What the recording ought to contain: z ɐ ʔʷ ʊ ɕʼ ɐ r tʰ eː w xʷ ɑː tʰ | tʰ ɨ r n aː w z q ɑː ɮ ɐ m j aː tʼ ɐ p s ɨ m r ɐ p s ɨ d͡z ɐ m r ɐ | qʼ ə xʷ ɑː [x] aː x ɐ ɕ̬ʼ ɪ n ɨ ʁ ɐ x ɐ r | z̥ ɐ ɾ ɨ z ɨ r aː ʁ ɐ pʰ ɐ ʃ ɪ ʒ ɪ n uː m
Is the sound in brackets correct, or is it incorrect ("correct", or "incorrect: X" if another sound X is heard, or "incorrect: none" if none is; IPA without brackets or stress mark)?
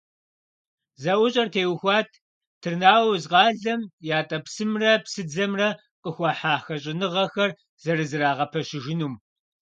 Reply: incorrect: ħ